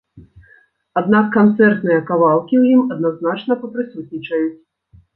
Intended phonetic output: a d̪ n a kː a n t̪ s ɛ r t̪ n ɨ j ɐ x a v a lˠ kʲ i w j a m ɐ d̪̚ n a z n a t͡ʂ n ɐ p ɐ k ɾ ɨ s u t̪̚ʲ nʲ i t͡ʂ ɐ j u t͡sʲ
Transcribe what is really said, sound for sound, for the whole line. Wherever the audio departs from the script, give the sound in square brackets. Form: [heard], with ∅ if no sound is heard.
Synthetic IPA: a d̪ n a kː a n t̪ s ɛ r t̪ n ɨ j ɐ [k] a v a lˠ kʲ i w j [i] m ɐ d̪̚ n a z n a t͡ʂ n ɐ p ɐ [p] ɾ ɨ s u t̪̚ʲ nʲ i t͡ʂ ɐ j u t͡sʲ